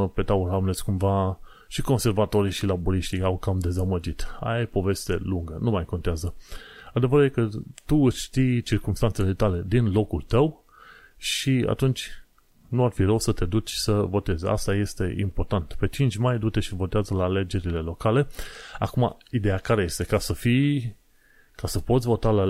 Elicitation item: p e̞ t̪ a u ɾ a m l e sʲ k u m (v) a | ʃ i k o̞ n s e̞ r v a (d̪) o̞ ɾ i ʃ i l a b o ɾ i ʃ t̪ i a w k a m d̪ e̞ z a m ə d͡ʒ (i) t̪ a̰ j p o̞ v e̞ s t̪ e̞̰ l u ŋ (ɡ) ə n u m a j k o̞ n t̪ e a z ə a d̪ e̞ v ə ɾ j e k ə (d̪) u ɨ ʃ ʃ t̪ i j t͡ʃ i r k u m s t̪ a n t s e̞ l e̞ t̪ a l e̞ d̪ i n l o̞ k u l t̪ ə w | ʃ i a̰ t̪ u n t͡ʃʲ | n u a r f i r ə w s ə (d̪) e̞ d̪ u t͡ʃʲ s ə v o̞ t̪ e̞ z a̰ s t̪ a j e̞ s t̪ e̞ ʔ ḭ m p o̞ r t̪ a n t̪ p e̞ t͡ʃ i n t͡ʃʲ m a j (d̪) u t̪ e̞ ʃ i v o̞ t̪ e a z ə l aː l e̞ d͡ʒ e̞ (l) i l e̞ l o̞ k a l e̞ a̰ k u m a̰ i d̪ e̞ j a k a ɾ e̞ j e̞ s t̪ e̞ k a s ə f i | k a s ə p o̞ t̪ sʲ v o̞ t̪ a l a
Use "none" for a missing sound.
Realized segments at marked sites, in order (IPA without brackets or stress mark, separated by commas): v, t̪, i, ɡ, t̪, t̪, d̪, ɾ